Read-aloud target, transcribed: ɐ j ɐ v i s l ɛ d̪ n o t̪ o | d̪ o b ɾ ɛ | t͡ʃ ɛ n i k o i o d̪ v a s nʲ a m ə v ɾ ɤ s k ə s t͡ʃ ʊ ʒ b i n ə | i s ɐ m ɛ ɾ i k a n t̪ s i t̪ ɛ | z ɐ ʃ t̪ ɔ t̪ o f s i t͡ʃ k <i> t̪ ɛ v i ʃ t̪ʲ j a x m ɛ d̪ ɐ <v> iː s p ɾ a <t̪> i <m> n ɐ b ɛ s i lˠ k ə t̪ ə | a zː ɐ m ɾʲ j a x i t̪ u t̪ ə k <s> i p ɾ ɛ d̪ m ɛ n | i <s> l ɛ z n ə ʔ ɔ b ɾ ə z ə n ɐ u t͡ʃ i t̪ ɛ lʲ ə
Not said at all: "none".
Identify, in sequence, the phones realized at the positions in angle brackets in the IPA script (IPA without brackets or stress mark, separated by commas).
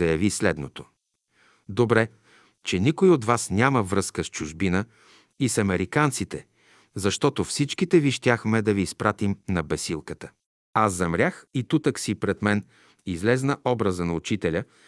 i, v, t̪, m, s, z